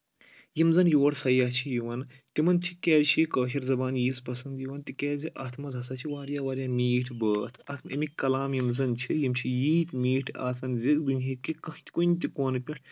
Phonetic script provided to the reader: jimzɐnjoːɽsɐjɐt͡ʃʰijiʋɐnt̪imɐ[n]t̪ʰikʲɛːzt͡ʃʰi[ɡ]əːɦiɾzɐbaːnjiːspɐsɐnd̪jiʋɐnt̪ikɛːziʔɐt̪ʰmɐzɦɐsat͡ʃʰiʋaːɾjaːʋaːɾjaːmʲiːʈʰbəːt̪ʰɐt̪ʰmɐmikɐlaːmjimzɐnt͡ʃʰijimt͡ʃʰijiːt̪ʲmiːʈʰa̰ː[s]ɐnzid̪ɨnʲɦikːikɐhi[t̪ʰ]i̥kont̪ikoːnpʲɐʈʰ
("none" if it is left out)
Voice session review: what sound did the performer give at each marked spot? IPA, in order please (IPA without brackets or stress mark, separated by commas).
n, k, s, t̪